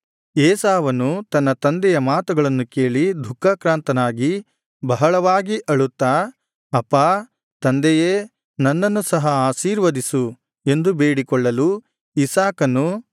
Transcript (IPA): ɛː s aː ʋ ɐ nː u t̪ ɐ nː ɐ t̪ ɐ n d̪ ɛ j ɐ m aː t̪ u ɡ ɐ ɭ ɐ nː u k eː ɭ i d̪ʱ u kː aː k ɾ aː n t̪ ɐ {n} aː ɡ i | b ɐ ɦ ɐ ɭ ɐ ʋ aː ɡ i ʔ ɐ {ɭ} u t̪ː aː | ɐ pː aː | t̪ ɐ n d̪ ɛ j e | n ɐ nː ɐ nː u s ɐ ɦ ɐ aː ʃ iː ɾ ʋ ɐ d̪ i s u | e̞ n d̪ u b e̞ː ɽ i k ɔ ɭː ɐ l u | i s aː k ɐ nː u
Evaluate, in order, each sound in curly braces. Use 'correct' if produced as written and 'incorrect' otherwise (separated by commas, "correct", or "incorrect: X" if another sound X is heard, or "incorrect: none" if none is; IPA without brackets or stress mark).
correct, correct